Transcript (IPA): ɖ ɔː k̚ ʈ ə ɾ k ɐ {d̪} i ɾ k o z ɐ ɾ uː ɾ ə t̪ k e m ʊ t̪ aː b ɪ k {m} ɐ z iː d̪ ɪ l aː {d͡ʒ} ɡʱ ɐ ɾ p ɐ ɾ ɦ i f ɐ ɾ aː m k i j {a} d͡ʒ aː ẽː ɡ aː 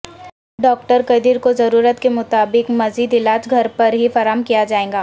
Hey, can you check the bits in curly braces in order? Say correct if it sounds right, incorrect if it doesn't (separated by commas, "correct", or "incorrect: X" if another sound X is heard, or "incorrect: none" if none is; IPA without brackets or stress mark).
correct, correct, correct, correct